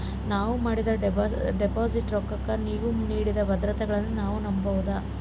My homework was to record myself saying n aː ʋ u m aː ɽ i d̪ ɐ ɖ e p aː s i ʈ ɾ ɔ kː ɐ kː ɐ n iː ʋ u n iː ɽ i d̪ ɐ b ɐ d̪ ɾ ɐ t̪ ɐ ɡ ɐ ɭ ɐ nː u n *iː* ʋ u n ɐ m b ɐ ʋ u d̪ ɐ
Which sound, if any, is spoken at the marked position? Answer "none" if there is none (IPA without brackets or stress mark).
aː